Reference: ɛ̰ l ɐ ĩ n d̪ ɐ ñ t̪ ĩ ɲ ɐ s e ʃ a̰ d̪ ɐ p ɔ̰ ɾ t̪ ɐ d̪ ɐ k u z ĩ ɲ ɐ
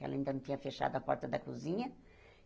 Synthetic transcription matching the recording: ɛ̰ l ɐ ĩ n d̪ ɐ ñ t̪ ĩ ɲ ɐ f e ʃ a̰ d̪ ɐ p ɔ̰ ɾ t̪ ɐ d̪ ɐ k u z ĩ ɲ ɐ